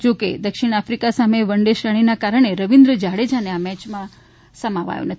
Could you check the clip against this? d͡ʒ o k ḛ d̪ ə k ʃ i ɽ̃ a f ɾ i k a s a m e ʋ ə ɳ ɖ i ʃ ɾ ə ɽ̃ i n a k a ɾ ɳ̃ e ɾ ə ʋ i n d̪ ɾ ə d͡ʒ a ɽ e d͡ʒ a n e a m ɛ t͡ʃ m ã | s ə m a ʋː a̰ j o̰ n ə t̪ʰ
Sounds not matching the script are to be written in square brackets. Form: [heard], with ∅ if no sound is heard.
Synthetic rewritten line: d͡ʒ o k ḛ d̪ ə k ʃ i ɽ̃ a f ɾ i k a s a m e ʋ ə ɳ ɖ [e] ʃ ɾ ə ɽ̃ i n a k a ɾ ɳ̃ e ɾ ə ʋ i n d̪ ɾ ə d͡ʒ a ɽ e d͡ʒ a n e a m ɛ t͡ʃ m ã | s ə m a [ʋ] a̰ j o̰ n ə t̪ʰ